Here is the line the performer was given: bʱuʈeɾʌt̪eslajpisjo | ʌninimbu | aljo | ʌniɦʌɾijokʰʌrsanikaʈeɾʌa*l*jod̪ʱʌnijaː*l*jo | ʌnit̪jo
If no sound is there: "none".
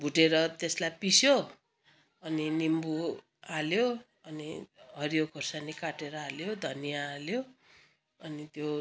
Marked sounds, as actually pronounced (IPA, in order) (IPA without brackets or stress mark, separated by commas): l, l